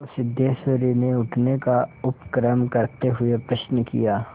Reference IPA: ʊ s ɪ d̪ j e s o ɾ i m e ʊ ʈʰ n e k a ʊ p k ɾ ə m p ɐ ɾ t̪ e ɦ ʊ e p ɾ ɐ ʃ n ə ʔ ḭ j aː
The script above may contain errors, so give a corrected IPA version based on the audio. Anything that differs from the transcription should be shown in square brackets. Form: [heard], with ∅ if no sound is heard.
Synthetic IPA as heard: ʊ s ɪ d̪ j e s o ɾ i [n] e ʊ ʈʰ n e k a ʊ p k ɾ ə m [k] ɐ ɾ t̪ e ɦ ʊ e p ɾ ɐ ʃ n ə [k] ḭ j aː